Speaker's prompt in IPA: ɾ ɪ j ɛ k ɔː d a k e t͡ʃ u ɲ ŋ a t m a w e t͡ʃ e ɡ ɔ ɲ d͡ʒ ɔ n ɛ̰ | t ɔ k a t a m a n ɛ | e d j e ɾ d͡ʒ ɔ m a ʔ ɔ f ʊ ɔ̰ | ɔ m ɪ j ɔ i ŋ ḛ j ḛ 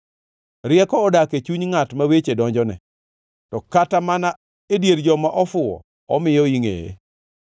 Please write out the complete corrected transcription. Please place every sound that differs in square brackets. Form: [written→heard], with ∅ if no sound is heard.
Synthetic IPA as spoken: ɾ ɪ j ɛ k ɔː d a k e t͡ʃ u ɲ ŋ a t m a w e t͡ʃ e [ɡ→d] ɔ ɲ d͡ʒ ɔ n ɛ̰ | t ɔ k a t a m a n [ɛ→a] | e d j e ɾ d͡ʒ ɔ m a ʔ ɔ f ʊ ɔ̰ | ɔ m ɪ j ɔ i ŋ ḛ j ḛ